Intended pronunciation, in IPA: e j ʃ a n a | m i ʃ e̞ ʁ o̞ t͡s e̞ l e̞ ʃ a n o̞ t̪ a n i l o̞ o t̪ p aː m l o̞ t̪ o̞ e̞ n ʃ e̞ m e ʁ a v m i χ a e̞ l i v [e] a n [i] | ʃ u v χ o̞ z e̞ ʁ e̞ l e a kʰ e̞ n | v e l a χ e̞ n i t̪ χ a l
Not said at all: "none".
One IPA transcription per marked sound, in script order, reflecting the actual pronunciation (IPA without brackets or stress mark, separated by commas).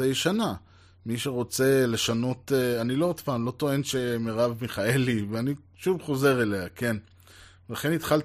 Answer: e, i